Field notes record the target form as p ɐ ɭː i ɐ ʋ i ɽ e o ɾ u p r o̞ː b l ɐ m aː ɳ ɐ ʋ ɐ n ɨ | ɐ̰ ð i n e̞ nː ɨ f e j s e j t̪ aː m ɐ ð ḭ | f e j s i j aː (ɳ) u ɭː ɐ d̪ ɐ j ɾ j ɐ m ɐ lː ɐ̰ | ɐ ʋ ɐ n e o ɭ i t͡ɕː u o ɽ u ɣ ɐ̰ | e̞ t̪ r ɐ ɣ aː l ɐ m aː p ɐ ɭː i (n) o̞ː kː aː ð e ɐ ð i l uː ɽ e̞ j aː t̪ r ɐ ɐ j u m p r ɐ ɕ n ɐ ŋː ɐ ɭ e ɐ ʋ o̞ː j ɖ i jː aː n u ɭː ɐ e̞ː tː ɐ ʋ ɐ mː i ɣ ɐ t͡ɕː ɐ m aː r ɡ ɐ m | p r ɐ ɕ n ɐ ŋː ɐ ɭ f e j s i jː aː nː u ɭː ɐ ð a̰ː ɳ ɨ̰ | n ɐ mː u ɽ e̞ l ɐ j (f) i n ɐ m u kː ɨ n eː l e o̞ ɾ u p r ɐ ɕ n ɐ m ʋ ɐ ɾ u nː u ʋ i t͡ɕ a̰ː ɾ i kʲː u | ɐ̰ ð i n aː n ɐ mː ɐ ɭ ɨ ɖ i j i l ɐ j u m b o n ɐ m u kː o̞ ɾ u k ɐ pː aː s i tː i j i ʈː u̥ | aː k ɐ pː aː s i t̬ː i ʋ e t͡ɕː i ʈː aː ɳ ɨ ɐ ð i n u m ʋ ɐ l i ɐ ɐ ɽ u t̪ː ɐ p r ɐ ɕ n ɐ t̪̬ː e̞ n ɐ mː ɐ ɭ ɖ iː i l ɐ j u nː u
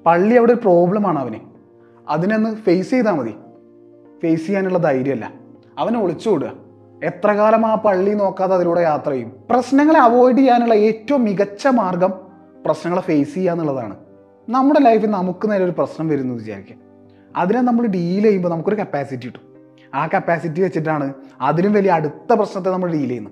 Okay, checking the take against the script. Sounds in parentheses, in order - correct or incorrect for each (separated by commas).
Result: incorrect, correct, correct